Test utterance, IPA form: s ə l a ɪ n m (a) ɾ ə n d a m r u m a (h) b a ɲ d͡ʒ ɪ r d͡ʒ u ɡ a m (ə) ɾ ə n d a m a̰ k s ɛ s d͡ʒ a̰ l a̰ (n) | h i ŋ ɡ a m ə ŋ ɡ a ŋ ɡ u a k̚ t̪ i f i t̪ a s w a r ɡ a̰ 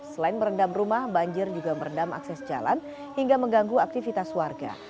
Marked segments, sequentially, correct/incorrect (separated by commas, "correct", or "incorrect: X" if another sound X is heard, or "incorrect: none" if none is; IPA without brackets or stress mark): incorrect: ə, correct, correct, correct